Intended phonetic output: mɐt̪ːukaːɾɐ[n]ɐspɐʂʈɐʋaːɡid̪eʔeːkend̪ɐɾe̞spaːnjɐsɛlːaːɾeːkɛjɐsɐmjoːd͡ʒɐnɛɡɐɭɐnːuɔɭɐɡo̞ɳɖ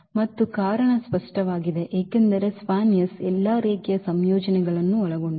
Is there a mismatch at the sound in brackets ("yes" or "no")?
yes